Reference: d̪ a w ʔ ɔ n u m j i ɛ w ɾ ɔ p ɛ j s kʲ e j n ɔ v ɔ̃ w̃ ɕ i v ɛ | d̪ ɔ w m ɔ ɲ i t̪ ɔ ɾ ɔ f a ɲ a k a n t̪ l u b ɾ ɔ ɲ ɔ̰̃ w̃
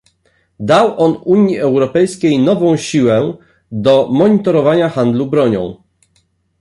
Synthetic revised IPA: d̪ a w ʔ ɔ n u ɲ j i ɛ w ɾ ɔ p ɛ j s kʲ e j n ɔ v ɔ̃ w̃ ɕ i w ɛ | d̪ ɔ m ɔ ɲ i t̪ ɔ ɾ ɔ v a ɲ a x a n d̪ l u b ɾ ɔ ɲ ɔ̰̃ w̃